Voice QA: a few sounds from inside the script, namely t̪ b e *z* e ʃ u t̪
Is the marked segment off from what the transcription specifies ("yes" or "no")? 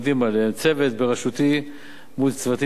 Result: yes